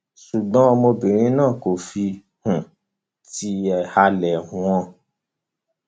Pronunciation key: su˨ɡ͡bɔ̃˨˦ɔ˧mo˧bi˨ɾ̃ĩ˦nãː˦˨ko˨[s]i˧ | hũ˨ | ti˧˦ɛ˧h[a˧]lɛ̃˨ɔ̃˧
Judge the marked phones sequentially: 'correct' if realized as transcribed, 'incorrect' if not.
incorrect, correct

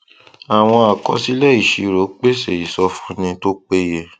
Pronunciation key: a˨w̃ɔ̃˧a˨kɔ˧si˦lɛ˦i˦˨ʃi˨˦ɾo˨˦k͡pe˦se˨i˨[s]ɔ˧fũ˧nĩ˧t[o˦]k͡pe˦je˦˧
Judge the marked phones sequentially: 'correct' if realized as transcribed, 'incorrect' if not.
correct, correct

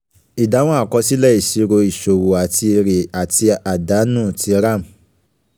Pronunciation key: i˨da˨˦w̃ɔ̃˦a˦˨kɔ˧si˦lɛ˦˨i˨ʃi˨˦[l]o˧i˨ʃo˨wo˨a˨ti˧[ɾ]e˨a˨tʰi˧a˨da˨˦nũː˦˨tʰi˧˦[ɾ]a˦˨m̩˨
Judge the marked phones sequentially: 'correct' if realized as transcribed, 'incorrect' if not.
incorrect, correct, correct

